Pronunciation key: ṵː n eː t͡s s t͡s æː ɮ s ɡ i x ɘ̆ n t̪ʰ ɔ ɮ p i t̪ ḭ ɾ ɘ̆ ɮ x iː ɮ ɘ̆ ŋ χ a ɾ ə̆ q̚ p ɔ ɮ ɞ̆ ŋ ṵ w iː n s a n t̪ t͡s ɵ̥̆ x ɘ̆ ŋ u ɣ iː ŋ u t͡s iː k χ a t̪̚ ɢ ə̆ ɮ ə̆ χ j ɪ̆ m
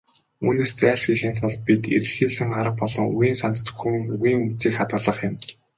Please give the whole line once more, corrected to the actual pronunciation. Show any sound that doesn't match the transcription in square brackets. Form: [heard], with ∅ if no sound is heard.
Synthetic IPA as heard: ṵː n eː [∅] s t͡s æː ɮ s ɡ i x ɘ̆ n t̪ʰ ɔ ɮ p i t̪ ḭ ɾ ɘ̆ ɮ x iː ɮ ɘ̆ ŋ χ a ɾ ə̆ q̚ p ɔ ɮ ɞ̆ ŋ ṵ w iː n s a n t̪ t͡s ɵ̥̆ x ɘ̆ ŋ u ɣ iː ŋ u t͡s iː k χ a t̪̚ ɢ ə̆ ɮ ə̆ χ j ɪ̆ m